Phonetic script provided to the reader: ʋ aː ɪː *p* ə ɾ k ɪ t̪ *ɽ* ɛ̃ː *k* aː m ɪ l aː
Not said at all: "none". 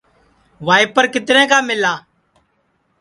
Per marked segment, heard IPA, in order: p, ɾ, k

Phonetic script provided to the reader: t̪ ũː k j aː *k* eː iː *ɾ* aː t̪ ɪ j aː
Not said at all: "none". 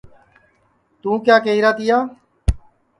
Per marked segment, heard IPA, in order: k, ɾ

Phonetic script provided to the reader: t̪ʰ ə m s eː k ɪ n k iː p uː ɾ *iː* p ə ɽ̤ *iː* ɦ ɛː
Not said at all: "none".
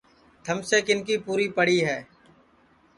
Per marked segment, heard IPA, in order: iː, iː

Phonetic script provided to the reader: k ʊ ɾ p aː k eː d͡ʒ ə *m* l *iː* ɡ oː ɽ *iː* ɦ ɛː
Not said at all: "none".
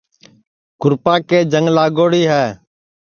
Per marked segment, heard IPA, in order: ŋ, aː, iː

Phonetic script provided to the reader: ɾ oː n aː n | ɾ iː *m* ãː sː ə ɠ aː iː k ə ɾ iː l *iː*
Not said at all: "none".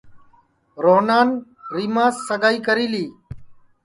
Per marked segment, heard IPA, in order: m, iː

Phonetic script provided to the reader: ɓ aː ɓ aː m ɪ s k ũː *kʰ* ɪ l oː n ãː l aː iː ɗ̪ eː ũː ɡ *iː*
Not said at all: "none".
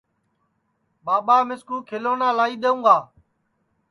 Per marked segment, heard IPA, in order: kʰ, aː

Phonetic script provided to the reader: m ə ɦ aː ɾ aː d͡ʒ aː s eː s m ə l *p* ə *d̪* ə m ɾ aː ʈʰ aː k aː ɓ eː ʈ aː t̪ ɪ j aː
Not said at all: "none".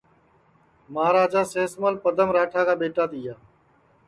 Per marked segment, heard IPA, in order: p, d̪

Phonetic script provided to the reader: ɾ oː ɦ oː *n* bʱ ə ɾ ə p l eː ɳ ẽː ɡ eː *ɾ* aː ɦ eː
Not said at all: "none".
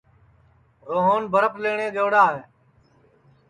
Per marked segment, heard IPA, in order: n, ɽ

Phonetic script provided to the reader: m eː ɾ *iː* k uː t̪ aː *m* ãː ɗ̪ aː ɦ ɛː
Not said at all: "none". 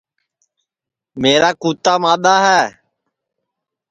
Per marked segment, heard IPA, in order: aː, m

